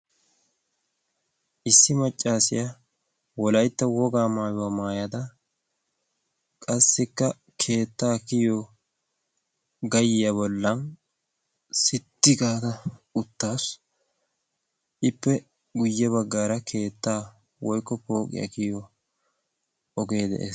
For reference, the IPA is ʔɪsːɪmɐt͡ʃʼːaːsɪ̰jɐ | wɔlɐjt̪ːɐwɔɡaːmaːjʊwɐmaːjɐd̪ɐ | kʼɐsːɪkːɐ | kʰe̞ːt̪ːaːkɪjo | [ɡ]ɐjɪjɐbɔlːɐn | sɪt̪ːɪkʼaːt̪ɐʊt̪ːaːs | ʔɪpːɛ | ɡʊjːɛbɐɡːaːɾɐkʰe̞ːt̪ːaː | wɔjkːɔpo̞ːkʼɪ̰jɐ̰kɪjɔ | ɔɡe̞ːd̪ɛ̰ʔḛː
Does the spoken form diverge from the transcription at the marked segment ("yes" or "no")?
no